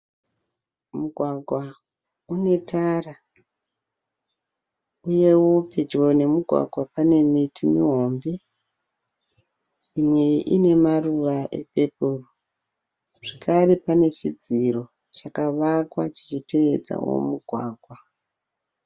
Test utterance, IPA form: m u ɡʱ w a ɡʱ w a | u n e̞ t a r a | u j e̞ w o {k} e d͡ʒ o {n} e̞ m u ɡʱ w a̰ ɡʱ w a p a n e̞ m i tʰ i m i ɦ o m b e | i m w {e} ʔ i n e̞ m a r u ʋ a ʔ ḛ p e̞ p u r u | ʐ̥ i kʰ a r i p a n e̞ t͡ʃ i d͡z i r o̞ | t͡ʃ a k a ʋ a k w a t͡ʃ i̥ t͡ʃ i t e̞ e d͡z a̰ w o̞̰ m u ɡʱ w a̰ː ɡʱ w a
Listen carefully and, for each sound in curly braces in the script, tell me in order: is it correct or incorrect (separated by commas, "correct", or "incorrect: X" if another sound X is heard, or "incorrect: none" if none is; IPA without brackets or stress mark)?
incorrect: p, correct, correct